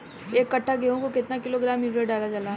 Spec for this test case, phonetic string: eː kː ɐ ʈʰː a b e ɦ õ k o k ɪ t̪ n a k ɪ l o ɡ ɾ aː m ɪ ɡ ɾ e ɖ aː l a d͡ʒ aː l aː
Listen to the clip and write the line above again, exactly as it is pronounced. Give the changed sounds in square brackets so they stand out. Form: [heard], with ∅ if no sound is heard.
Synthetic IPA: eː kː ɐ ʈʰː a [ɡ] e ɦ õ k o k ɪ t̪ n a k ɪ l o ɡ ɾ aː m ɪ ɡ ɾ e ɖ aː l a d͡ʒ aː l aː